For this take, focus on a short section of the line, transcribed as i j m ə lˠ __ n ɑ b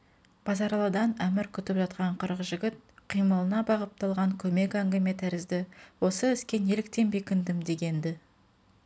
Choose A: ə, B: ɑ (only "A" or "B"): A